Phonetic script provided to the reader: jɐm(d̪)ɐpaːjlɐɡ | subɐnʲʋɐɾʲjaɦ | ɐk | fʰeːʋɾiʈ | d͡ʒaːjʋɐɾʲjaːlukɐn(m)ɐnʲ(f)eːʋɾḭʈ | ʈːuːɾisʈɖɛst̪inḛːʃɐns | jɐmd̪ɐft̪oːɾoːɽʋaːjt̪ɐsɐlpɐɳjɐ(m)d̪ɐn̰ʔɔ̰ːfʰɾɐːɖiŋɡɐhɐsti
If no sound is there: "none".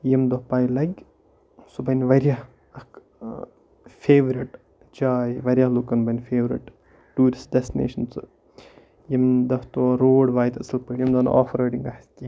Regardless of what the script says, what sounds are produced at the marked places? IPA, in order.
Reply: d̪, b, f, m

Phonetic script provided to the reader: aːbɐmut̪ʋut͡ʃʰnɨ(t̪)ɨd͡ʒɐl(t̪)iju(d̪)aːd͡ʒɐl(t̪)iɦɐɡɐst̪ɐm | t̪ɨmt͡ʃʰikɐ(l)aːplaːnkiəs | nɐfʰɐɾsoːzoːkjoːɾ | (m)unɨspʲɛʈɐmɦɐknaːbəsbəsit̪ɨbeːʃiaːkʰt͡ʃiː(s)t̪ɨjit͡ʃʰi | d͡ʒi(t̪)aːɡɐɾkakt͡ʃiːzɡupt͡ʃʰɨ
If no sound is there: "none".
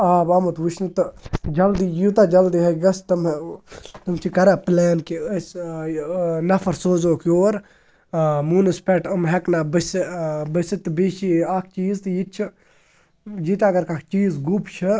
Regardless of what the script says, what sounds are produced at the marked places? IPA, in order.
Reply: t̪, d̪, t̪, d̪, ɾ, m, z, t̪

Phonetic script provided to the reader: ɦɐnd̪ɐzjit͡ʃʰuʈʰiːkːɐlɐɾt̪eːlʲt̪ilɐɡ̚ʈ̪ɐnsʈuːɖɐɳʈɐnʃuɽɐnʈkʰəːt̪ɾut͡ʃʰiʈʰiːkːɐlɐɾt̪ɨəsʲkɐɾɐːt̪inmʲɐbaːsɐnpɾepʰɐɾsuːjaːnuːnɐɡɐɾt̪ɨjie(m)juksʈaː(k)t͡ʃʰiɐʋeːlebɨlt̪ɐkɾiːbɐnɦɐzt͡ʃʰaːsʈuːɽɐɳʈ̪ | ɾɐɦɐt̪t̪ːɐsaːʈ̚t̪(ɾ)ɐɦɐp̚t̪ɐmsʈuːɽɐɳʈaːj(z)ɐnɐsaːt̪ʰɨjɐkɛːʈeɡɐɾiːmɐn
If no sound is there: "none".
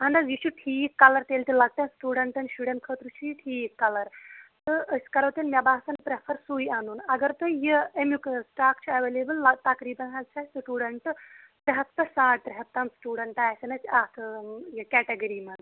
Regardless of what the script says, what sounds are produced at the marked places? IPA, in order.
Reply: m, k, ɾ, s

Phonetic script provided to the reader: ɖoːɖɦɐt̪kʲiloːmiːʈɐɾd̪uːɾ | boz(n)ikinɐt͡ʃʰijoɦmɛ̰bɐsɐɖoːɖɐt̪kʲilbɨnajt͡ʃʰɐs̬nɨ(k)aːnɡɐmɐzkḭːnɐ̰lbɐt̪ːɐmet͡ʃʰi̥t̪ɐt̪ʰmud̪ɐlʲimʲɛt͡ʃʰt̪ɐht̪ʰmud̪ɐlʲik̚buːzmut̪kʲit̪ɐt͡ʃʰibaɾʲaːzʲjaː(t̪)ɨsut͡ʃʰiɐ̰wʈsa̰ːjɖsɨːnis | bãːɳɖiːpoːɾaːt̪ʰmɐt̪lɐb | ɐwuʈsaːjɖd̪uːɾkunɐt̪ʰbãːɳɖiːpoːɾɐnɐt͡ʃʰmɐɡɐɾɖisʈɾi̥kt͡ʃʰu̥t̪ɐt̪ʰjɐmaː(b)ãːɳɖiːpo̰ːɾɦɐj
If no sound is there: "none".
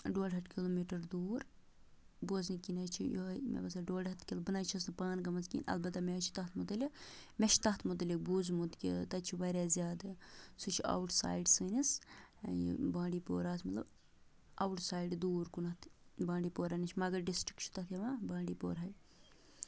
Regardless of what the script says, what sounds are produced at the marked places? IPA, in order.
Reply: n, p, d̪, b

